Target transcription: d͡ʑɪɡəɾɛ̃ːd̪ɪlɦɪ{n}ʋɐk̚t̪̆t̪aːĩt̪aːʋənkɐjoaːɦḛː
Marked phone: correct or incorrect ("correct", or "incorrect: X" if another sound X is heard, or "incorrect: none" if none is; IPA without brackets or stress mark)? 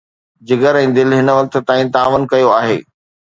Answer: correct